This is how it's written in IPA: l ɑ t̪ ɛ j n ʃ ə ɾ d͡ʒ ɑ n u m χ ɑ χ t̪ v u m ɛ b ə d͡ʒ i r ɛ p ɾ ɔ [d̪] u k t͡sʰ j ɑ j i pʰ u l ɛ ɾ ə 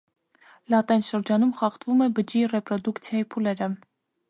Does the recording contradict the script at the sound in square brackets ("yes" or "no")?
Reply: no